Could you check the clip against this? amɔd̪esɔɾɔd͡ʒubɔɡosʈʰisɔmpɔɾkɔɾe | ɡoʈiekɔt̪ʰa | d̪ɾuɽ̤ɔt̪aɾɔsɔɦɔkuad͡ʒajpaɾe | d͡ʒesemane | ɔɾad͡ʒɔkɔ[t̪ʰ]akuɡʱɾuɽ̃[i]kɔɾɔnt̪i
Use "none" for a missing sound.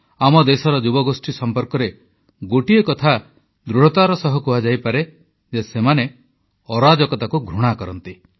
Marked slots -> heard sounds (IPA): t̪, a

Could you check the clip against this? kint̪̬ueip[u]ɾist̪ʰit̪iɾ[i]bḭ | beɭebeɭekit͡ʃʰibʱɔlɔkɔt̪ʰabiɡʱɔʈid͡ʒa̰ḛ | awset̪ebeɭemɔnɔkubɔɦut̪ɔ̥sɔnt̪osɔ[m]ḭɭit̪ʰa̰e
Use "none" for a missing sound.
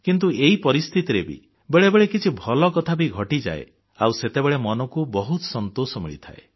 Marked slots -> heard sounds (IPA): ɔ, e, m

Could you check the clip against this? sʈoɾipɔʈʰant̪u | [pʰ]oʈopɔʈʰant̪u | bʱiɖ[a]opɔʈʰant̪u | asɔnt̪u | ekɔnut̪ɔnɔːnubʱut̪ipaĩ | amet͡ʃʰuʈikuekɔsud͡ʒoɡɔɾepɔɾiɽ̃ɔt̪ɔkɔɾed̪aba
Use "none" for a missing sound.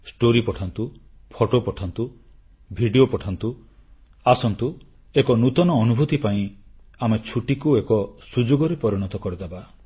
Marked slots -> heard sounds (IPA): pʰ, i

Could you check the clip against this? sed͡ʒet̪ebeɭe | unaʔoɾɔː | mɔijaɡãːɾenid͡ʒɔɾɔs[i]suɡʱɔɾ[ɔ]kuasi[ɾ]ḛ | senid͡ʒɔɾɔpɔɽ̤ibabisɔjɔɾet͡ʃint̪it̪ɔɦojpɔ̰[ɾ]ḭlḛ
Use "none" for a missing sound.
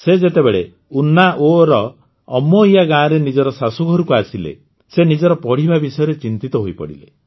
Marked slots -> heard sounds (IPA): a, u, l, ɽ

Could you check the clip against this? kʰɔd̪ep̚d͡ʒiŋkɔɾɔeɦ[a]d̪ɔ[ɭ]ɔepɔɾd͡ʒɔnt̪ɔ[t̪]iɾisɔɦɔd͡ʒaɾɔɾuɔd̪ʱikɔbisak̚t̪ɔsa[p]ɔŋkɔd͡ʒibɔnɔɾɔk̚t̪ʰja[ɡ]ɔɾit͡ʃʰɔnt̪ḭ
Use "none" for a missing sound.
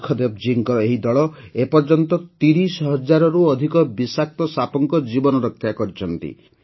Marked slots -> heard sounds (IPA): i, ɭ, t̪, p, k

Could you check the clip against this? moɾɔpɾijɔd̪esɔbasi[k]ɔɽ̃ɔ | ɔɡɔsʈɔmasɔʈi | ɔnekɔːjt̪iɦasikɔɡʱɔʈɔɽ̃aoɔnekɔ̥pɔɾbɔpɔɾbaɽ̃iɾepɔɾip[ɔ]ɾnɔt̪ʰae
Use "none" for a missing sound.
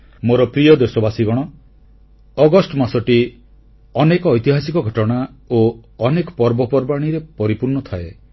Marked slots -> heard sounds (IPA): ɡ, u

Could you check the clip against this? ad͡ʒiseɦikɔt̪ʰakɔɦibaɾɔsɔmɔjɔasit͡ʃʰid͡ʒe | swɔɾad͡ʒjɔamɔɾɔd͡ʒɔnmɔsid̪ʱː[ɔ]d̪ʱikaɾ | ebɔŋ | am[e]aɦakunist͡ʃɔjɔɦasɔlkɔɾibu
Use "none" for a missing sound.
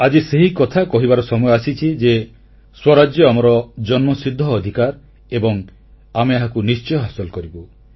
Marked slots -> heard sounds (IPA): ɔː, e

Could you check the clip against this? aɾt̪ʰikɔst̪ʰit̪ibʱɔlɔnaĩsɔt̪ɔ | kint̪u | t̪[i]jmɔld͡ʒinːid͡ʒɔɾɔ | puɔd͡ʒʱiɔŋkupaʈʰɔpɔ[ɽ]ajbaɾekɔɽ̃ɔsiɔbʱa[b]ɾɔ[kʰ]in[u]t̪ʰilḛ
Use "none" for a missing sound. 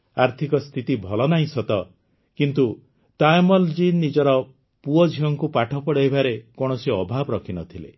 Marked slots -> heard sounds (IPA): a, ɽ, b, kʰ, ɔ

